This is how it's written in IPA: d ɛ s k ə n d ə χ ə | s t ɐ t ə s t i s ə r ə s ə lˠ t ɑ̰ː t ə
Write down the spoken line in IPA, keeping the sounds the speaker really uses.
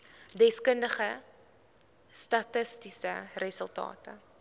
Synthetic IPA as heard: d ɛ s k ə n d ə χ ə | s t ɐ t ə s t i s ə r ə s ə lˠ t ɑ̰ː t ə